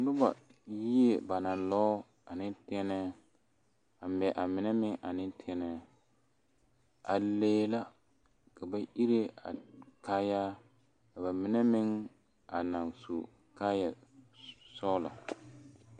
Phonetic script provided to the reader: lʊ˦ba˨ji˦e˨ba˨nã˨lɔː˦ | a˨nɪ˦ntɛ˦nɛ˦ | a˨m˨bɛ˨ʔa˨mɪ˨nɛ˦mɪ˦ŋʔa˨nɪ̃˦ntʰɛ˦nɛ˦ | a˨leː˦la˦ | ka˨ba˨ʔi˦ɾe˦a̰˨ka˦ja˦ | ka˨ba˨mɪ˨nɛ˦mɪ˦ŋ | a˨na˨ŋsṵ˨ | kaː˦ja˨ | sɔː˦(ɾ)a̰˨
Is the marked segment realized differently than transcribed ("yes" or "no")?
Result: yes